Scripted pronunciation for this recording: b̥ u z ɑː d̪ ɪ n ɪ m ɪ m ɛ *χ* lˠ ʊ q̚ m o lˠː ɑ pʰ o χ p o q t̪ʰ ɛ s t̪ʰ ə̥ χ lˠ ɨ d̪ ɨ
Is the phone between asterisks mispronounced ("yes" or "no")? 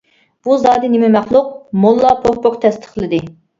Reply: no